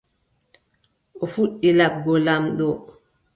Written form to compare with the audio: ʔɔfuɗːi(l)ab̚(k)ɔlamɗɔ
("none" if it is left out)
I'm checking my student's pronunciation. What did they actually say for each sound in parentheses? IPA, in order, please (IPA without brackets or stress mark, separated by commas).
l, ɡ